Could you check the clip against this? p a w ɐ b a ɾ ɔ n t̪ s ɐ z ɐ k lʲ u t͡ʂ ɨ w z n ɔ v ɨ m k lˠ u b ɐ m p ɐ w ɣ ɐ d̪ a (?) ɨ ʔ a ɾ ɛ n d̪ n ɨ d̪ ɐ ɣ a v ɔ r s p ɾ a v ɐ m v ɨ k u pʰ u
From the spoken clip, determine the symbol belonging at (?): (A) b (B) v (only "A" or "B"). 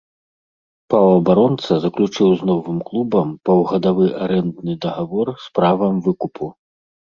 B